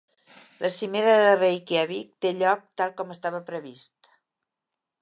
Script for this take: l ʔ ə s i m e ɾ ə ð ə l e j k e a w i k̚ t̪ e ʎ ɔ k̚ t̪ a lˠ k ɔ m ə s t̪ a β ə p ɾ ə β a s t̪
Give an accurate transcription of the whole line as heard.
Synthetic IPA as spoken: l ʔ ə s i m e ɾ ə ð ə r e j k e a β i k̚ t̪ e ʎ ɔ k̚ t̪ a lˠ k ɔ m ə s t̪ a β ə p ɾ ə β i s t̪